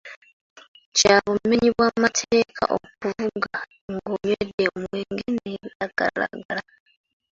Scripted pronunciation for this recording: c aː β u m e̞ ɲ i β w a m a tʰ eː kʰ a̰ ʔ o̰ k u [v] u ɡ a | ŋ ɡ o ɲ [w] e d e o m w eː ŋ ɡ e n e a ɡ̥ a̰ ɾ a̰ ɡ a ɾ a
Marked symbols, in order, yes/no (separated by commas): yes, yes